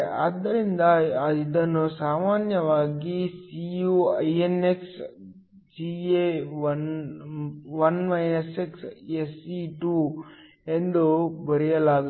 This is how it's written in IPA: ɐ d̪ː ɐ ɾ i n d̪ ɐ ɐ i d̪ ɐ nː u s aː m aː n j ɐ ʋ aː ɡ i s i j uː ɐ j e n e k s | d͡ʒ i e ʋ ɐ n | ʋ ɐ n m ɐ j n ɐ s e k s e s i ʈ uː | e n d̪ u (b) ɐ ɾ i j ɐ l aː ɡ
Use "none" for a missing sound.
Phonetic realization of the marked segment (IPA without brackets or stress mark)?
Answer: b